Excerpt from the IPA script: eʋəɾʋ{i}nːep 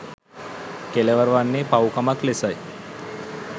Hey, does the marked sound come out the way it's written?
no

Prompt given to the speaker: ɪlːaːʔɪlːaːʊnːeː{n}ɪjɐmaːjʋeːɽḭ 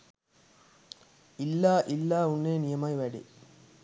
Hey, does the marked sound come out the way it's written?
yes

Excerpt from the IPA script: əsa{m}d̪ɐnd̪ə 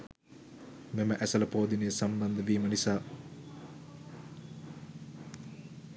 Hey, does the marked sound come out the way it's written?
yes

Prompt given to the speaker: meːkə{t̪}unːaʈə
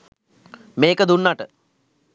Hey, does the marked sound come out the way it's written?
no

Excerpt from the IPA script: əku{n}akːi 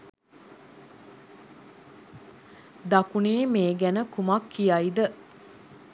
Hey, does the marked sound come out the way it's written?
no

